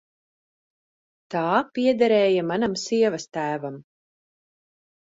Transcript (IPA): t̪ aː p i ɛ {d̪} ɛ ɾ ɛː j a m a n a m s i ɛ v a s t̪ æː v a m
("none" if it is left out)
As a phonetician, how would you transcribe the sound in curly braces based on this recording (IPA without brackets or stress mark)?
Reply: d̪